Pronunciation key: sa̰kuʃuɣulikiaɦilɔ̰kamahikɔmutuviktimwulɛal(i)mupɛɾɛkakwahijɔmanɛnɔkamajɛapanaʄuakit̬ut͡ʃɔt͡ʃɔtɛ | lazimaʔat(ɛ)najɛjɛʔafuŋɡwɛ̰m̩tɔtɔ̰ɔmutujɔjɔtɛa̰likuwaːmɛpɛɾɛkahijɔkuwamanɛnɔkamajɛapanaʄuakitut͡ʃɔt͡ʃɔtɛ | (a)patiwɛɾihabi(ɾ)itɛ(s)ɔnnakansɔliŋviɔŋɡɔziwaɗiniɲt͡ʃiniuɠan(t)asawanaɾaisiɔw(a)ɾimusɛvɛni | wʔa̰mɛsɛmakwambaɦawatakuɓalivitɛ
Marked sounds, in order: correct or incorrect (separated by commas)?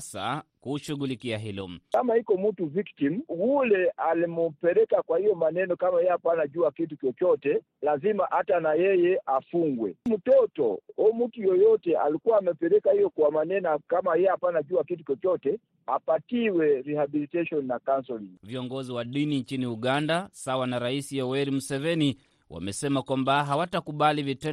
correct, incorrect, correct, incorrect, incorrect, incorrect, incorrect